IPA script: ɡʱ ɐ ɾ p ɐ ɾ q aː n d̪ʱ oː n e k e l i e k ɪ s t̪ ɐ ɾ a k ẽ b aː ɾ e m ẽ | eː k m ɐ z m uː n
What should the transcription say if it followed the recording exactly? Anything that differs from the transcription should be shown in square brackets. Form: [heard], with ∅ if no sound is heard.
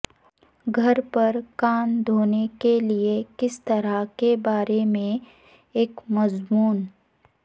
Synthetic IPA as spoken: ɡʱ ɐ ɾ p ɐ ɾ [k] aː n d̪ʱ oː n e k e l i e k ɪ s t̪ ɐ ɾ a k [e] b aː ɾ e m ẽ | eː k m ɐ z m uː n

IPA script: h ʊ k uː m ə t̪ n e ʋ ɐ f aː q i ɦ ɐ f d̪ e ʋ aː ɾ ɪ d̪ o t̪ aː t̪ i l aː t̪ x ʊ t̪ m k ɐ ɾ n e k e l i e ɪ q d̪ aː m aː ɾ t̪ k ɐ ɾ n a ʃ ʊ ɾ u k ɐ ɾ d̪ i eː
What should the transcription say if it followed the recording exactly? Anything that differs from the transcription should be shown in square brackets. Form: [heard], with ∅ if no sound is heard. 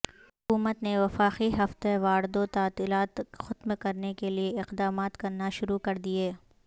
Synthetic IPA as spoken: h ʊ k uː m ə t̪ n e ʋ ɐ f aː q i ɦ ɐ f [t̪] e ʋ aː ɾ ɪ d̪ o t̪ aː t̪ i l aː t̪ x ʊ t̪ m k ɐ ɾ n e k e l i e ɪ q d̪ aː m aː [∅] t̪ k ɐ ɾ n a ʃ ʊ ɾ u k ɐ ɾ d̪ i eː

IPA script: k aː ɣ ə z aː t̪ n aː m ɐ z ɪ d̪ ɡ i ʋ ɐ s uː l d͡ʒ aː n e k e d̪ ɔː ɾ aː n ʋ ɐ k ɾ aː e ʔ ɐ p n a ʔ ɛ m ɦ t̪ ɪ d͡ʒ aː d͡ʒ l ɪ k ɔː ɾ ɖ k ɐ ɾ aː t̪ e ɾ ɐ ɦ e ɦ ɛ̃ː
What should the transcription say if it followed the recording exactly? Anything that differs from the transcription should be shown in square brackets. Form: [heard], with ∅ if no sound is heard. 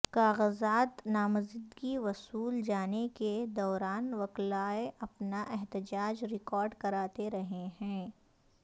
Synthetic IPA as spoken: k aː ɣ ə z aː t̪ n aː m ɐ z ɪ d̪ ɡ i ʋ ɐ s uː l d͡ʒ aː n e k e d̪ ɔː ɾ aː n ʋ ɐ k [l] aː e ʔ ɐ p n a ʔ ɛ [∅] ɦ t̪ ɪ d͡ʒ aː d͡ʒ [ɾ] ɪ k ɔː ɾ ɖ k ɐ ɾ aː t̪ e ɾ ɐ ɦ e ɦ ɛ̃ː

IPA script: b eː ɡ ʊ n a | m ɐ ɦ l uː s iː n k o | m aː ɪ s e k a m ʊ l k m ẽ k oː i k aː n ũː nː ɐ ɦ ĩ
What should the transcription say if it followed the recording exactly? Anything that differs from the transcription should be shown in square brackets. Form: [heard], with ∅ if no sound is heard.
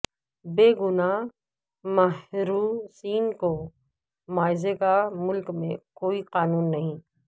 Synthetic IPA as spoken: b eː ɡ ʊ n a | m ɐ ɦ [ɾ] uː s iː n k o | m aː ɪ [z] e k a m ʊ l k m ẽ k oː i [q] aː n [uː] nː ɐ ɦ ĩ

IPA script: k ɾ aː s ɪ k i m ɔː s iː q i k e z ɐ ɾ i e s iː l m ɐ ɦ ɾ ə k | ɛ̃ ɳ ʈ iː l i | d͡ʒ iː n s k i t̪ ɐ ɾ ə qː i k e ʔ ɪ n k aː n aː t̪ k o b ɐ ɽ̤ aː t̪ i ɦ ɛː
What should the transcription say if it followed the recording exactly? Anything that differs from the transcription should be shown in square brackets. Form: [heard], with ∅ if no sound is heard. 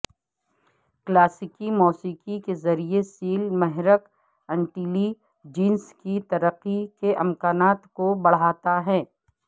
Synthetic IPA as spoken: k [l] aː s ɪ k i m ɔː s iː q i k e z ɐ ɾ i e s iː l m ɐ ɦ ɾ ə k | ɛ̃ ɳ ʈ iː l i | d͡ʒ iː n s k i t̪ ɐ ɾ ə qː i k e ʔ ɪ [m] k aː n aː t̪ k o b ɐ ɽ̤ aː t̪ [a] ɦ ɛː

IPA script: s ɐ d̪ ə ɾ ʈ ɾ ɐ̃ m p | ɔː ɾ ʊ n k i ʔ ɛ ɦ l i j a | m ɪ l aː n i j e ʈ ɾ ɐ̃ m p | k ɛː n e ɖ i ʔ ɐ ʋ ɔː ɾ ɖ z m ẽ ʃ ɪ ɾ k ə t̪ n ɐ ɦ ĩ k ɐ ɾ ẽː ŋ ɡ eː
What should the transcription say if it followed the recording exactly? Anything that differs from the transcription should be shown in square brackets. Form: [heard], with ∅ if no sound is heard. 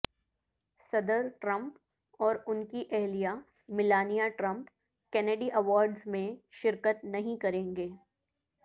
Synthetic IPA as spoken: s ɐ d̪ ə ɾ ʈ ɾ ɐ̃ m p | ɔː ɾ ʊ n k i ʔ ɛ ɦ l i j a | m ɪ l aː n i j [a] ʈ ɾ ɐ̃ m p | k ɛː n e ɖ i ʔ ɐ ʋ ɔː ɾ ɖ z m ẽ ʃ ɪ ɾ k ə t̪ n ɐ ɦ ĩ k ɐ ɾ ẽː ŋ ɡ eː

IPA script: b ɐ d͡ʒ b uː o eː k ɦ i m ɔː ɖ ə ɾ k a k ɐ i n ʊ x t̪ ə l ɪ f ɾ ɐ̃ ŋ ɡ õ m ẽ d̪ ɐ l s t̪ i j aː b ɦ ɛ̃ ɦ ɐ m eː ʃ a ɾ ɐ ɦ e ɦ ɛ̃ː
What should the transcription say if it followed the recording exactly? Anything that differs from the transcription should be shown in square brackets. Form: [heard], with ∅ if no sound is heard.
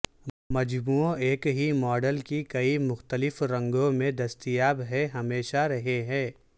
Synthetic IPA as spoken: [m] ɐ d͡ʒ b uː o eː k ɦ i m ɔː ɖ ə [l] k [i] k ɐ i [m] ʊ x t̪ ə l ɪ f ɾ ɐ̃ ŋ ɡ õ m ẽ d̪ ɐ [∅] s t̪ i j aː b ɦ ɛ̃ ɦ ɐ m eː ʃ a ɾ ɐ ɦ e ɦ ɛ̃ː

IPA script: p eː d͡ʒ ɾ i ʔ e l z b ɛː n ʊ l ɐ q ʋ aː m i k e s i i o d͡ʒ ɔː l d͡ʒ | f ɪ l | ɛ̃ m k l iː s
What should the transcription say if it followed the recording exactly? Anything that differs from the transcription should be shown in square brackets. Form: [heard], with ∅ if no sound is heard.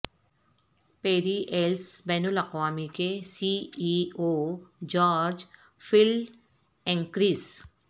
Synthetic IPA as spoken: p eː [∅] ɾ i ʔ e l [s] b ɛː n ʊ l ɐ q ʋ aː m i k e s i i o d͡ʒ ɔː [ɾ] d͡ʒ | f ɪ l | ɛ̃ [ŋ] k [ɾ] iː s

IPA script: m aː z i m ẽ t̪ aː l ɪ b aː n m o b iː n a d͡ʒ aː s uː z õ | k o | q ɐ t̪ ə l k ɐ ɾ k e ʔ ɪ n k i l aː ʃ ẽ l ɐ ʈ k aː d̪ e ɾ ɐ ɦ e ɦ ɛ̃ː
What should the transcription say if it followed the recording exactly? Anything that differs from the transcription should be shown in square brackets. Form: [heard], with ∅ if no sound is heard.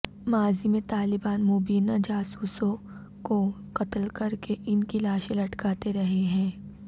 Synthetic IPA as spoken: m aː z i m ẽ t̪ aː l ɪ b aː n m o b iː n a d͡ʒ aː s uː [s] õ | k o | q ɐ t̪ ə l k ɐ ɾ k e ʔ ɪ n k i l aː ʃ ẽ l ɐ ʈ k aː [t̪] e ɾ ɐ ɦ e ɦ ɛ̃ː

